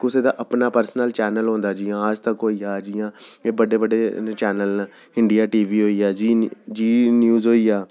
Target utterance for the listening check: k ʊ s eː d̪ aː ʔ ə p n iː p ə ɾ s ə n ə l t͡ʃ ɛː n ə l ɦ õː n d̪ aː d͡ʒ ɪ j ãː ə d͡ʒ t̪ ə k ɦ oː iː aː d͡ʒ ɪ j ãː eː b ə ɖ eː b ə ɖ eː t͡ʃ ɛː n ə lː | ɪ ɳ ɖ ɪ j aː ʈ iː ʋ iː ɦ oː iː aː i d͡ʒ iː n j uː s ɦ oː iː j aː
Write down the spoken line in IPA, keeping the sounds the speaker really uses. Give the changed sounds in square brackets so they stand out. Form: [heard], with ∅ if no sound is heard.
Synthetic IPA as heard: k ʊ s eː d̪ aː ʔ ə p n [aː] p ə ɾ s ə n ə l t͡ʃ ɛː n ə l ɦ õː n d̪ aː d͡ʒ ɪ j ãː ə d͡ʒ t̪ ə k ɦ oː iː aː d͡ʒ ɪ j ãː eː b ə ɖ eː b ə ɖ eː t͡ʃ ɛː n ə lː | ɪ ɳ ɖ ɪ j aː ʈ iː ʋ iː ɦ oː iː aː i d͡ʒ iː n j uː [z] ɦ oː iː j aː